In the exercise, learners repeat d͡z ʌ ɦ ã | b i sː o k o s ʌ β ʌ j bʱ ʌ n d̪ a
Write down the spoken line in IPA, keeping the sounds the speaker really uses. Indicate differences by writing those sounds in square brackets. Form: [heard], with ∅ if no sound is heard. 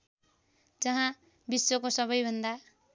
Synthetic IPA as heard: d͡z ʌ ɦ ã | b i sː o k o s ʌ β ʌ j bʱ ʌ n d̪ a